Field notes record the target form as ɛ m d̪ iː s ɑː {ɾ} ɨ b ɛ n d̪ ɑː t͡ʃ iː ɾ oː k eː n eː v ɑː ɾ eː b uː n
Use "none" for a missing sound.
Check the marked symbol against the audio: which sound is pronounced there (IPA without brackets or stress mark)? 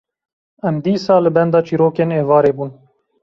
l